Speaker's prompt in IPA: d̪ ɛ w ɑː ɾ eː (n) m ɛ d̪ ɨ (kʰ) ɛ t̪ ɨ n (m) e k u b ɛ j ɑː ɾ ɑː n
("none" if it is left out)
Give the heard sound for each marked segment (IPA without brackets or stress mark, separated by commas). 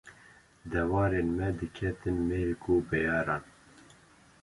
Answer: n, kʰ, m